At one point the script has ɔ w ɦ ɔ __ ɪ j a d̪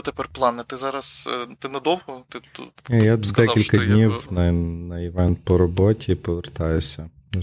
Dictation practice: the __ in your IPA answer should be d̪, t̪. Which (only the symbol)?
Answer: t̪